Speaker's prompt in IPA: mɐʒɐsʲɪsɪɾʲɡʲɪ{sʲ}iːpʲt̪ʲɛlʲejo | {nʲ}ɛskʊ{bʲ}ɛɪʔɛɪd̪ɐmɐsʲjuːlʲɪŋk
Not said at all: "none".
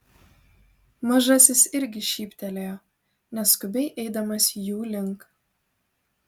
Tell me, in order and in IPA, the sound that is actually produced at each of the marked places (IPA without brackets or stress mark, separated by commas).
ʃʲ, nʲ, bʲ